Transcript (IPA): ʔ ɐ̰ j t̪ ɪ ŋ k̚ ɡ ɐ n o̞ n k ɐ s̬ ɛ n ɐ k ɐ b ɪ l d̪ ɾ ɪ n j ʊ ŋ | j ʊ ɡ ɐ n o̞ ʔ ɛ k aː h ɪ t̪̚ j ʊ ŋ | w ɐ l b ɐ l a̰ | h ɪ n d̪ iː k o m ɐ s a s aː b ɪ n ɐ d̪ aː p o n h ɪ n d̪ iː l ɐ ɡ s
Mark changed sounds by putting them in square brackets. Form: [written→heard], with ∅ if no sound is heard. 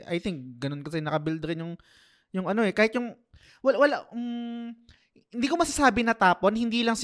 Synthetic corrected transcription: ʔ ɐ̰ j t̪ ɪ ŋ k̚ ɡ ɐ n o̞ n k ɐ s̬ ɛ n ɐ k ɐ b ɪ l d̪ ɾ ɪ n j ʊ ŋ | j ʊ [ɡ→ŋ] ɐ n o̞ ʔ ɛ k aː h ɪ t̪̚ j ʊ ŋ | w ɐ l [b→w] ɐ l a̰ | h ɪ n d̪ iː k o m ɐ s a s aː b ɪ n ɐ [d̪→t̪] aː p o n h ɪ n d̪ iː l ɐ [ɡ→ŋ] s